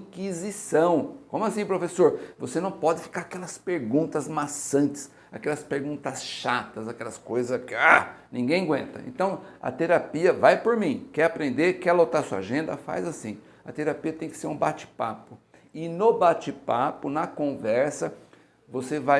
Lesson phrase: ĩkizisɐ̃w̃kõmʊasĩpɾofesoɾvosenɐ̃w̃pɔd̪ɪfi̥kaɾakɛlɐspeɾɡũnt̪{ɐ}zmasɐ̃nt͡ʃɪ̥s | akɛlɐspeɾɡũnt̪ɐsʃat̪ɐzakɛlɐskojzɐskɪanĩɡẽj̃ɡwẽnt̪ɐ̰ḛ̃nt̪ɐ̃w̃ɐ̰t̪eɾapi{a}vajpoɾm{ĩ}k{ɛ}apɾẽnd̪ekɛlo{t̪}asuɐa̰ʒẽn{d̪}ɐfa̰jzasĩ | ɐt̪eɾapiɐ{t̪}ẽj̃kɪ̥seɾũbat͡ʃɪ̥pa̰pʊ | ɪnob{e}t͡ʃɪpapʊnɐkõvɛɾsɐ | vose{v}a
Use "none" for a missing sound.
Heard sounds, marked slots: ɐ, ɐ, ĩ, ɛ, t̪, d̪, t̪, a, v

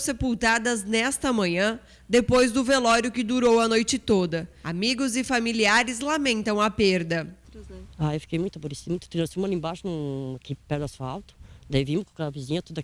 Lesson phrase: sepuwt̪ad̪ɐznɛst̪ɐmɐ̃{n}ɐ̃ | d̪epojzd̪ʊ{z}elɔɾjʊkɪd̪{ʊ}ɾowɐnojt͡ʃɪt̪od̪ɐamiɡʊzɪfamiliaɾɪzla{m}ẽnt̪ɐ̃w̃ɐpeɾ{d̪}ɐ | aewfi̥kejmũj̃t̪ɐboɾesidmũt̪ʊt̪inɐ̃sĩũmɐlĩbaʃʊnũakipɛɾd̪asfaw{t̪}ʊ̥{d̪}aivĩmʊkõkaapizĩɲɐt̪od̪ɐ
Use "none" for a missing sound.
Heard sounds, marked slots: ɲ, v, u, m, d̪, t̪, d̪

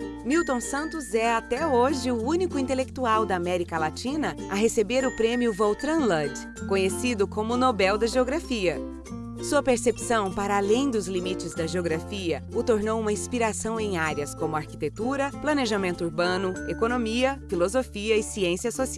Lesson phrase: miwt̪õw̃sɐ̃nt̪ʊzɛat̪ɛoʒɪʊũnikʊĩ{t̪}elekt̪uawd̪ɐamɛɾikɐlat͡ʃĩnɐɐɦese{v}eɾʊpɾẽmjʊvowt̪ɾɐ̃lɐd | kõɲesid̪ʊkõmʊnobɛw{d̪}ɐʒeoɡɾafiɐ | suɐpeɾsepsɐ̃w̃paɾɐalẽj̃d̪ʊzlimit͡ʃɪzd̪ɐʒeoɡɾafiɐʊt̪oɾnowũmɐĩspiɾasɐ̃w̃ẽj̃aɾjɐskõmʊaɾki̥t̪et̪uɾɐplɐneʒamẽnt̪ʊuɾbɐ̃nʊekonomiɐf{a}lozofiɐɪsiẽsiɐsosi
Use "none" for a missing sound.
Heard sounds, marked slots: t̪, b, d̪, i

